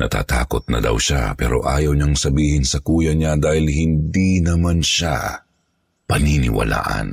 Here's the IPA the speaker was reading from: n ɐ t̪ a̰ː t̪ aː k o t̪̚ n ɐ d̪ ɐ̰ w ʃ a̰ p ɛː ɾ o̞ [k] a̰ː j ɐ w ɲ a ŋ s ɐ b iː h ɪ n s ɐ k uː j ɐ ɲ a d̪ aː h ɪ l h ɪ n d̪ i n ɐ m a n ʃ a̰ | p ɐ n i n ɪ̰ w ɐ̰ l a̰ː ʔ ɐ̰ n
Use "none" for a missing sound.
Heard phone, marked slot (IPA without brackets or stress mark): ʔ